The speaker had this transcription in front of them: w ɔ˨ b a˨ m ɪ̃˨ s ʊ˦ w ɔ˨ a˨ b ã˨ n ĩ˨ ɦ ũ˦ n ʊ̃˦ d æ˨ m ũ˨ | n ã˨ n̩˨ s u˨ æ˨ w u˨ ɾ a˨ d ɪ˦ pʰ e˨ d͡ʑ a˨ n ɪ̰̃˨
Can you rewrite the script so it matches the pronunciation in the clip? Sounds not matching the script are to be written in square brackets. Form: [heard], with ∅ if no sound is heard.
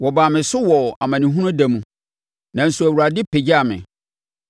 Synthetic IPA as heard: w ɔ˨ b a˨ m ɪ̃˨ s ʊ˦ w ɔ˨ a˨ [m] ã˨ n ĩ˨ ɦ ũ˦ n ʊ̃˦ d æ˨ m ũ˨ | n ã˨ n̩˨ s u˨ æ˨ w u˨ ɾ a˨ d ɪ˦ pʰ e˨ d͡ʑ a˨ [m] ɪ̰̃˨